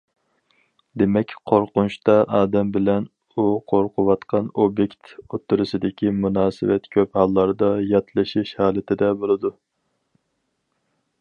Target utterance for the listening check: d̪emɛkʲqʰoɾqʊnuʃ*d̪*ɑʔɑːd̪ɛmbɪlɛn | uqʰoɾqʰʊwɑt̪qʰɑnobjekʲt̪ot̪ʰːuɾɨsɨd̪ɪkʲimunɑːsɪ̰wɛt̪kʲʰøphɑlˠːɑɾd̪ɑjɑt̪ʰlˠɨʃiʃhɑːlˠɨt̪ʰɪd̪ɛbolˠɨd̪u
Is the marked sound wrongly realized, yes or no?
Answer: yes